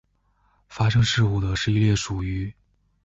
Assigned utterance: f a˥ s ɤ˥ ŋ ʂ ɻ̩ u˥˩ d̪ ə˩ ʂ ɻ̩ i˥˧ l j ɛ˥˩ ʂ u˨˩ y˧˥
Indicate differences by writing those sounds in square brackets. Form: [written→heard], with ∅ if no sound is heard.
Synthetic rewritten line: f a˥ [s→ʂ] ɤ˥ ŋ ʂ ɻ̩ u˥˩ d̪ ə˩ ʂ ɻ̩ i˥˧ l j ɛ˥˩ ʂ u˨˩ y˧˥